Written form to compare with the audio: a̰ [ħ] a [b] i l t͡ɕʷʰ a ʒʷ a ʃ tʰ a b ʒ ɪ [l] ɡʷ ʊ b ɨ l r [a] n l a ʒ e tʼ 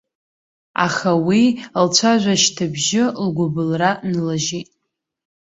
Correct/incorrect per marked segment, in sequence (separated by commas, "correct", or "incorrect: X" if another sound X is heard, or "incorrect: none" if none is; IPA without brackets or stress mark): incorrect: χ, incorrect: w, correct, correct